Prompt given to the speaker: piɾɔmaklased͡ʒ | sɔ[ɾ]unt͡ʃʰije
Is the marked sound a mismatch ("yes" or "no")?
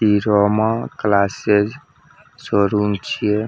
no